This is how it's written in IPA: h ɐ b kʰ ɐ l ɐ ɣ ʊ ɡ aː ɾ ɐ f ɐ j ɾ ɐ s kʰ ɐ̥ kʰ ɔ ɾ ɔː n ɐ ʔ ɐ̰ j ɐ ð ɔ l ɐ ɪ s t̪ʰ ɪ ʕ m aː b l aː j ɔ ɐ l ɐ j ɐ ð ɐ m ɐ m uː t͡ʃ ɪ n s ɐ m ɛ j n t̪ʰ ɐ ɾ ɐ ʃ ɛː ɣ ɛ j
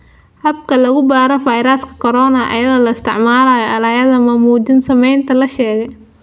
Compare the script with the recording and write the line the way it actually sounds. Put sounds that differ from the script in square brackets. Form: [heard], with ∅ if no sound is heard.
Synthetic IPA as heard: h ɐ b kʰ ɐ l ɐ ɣ ʊ [b] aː ɾ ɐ f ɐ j ɾ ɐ s kʰ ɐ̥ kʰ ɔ ɾ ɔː n ɐ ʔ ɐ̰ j ɐ ð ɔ l ɐ ɪ s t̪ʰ ɪ ʕ m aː [∅] l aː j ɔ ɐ l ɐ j ɐ ð ɐ m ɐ m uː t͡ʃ ɪ n s ɐ m ɛ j n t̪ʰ ɐ [l] ɐ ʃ ɛː ɣ ɛ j